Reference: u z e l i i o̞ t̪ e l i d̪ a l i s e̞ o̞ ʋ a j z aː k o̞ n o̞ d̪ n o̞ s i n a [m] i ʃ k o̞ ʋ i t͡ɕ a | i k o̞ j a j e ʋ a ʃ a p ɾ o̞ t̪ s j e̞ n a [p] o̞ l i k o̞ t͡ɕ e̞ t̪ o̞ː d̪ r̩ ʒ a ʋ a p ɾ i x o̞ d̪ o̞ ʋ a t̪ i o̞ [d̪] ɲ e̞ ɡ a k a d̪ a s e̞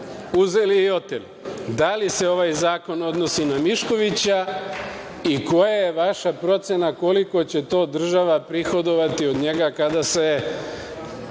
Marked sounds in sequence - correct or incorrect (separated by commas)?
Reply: correct, incorrect, correct